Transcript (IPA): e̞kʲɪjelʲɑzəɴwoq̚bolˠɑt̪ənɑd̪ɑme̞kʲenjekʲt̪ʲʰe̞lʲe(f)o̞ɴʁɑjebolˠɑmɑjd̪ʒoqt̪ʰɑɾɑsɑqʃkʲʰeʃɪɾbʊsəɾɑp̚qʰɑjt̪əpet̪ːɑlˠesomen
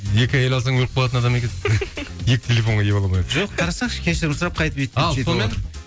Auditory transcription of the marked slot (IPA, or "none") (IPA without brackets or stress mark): f